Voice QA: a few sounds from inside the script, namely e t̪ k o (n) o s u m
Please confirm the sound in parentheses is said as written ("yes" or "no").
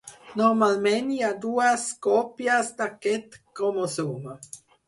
no